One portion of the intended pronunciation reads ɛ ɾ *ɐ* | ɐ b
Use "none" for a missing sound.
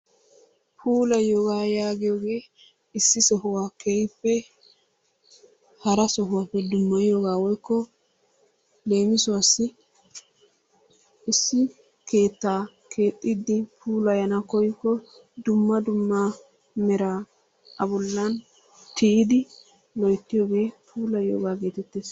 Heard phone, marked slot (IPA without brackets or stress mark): a